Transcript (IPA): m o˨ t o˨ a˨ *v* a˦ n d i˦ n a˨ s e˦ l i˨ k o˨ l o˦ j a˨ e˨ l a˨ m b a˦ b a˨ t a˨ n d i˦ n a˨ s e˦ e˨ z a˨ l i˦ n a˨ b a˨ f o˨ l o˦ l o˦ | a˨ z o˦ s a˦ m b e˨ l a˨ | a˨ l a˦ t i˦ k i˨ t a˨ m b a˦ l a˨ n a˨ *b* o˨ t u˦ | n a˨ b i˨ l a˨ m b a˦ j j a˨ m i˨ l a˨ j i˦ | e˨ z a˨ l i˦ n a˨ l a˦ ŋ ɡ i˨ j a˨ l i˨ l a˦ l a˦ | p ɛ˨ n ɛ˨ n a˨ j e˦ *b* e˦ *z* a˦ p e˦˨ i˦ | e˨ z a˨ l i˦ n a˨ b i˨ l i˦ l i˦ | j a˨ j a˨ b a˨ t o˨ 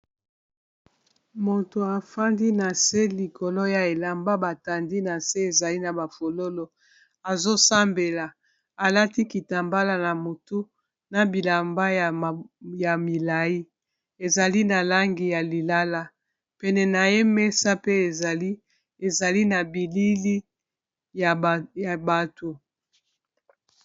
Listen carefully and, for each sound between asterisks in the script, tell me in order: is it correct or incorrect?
incorrect: f, incorrect: m, incorrect: m, incorrect: s

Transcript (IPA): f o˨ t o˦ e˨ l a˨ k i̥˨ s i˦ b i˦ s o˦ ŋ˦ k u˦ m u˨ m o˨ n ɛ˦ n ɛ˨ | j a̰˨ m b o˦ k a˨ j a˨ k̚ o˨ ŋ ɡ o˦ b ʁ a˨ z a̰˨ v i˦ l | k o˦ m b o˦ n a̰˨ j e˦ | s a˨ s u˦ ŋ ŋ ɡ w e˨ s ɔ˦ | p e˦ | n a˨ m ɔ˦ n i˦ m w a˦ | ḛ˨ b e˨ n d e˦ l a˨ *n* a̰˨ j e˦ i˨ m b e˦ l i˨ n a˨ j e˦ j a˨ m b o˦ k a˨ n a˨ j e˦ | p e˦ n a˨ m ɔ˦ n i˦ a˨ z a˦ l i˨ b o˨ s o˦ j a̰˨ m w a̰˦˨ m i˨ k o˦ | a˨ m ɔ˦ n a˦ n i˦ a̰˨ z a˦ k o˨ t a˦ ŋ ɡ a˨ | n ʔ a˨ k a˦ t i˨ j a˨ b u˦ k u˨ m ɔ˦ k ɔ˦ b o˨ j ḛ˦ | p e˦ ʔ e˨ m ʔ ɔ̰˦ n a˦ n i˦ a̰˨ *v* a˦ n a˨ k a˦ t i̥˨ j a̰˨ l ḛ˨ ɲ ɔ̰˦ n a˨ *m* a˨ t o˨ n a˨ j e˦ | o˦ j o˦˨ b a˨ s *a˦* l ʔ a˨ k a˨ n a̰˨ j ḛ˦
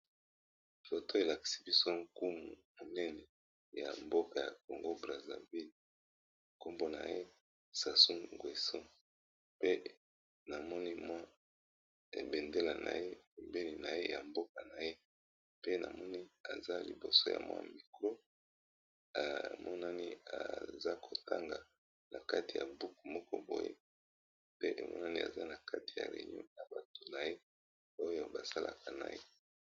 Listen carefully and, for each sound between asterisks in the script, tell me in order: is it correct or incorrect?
correct, incorrect: z, incorrect: b, correct

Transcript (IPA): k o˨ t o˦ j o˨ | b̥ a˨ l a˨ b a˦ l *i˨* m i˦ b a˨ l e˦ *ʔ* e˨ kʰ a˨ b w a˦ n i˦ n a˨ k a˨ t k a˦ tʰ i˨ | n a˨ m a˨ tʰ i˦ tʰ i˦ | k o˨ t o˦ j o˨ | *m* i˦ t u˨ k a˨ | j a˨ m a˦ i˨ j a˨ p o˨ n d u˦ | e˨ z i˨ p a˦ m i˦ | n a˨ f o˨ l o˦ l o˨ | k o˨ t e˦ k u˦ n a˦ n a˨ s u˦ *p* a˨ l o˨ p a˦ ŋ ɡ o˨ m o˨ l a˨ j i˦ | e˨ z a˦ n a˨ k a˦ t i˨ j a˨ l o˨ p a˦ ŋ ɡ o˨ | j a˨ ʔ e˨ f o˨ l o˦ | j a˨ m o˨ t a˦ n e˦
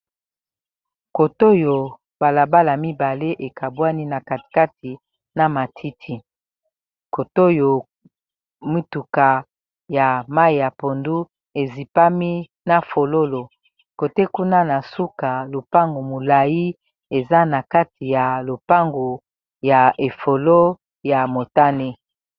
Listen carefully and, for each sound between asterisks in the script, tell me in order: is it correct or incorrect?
incorrect: a˨, correct, correct, incorrect: k

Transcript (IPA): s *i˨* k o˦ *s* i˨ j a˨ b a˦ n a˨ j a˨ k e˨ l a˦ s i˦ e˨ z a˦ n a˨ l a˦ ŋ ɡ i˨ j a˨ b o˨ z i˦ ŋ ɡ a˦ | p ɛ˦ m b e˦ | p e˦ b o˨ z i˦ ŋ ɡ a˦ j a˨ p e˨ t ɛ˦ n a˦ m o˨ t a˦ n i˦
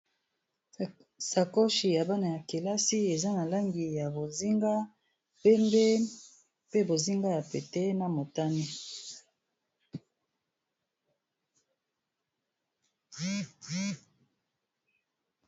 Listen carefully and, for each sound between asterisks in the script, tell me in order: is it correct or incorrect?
incorrect: a˨, incorrect: ʃ

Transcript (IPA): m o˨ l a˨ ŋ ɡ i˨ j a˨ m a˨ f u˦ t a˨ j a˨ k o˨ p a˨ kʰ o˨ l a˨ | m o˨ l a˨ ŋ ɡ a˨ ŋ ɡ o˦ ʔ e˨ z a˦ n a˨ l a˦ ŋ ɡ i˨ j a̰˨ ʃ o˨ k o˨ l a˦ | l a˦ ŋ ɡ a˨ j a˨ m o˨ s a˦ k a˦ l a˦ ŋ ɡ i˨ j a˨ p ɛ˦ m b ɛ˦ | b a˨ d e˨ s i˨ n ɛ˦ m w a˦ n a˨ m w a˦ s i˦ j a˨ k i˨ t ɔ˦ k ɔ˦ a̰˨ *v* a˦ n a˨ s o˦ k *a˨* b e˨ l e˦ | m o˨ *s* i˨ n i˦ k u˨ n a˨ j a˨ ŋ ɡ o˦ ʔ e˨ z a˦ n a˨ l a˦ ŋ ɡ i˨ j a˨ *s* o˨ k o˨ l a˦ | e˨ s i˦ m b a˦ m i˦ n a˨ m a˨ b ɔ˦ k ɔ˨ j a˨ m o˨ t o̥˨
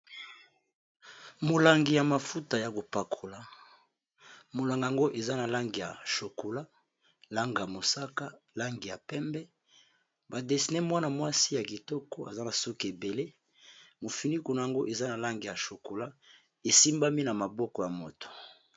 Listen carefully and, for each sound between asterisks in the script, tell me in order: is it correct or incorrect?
incorrect: z, incorrect: e˨, incorrect: f, incorrect: ʃ

